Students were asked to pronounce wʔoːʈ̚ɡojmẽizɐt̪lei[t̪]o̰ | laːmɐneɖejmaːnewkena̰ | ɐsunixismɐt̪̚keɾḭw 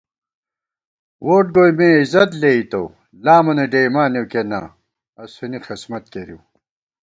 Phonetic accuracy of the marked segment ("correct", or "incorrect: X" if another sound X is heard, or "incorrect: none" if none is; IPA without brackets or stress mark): correct